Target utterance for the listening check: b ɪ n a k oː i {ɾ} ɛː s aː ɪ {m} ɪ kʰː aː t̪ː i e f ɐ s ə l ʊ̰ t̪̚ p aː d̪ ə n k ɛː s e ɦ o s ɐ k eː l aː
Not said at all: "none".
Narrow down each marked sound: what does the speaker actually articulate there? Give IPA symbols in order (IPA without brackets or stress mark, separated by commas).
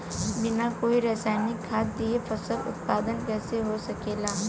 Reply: ɾ, n